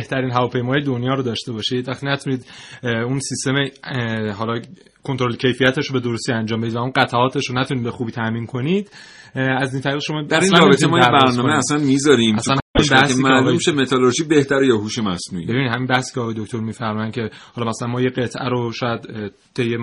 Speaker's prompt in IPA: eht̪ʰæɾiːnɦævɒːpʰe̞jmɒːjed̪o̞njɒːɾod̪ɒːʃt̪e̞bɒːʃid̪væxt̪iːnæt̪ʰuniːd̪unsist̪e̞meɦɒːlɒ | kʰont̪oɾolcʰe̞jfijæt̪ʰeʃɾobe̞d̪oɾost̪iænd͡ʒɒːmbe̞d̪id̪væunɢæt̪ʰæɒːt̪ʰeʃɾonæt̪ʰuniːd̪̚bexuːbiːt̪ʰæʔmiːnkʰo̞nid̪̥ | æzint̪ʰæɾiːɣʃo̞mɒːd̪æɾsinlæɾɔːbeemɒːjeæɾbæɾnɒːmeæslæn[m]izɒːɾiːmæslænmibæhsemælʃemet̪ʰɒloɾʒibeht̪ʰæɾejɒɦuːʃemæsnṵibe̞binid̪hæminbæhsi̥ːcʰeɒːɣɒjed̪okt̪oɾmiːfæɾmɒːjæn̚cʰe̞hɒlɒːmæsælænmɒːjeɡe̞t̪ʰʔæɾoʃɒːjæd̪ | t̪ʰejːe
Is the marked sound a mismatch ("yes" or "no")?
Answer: no